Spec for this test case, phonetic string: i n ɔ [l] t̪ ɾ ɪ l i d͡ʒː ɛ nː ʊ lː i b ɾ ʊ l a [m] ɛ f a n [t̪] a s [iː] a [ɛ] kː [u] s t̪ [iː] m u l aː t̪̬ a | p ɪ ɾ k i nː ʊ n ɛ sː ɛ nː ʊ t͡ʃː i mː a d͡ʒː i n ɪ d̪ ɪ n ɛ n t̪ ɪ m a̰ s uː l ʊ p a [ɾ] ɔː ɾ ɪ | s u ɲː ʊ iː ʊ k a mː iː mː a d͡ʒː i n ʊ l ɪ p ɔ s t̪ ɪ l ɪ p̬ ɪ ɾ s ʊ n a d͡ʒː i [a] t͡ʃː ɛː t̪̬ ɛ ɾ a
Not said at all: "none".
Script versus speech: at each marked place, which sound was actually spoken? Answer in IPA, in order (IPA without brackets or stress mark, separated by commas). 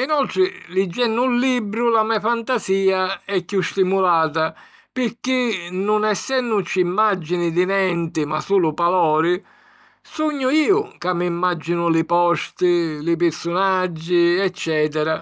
l, m, t̪, iː, ɛ, u, i, l, ɛ